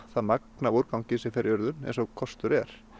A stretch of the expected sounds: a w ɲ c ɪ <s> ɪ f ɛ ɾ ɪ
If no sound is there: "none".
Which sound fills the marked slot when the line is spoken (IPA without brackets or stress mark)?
s